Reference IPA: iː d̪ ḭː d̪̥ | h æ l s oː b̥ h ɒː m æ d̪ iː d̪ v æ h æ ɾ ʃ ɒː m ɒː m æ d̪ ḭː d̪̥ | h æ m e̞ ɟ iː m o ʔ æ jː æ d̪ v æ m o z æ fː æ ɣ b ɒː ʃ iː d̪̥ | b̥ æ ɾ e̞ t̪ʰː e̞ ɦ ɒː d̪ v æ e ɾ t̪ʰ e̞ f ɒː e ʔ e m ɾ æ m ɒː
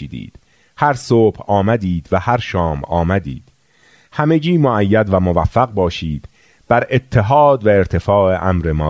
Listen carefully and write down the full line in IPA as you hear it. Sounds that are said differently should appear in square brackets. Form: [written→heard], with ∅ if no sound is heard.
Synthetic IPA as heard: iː d̪ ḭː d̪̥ | h æ [l→ɾ] s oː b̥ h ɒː m æ d̪ iː d̪ v æ h æ ɾ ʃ ɒː m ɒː m æ d̪ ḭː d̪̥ | h æ m e̞ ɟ iː m o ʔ æ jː æ d̪ v æ m o [z→v] æ fː æ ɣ b ɒː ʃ iː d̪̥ | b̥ æ ɾ e̞ t̪ʰː e̞ ɦ ɒː d̪ v æ e ɾ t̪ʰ e̞ f ɒː e ʔ [e→æ] m ɾ [æ→e] m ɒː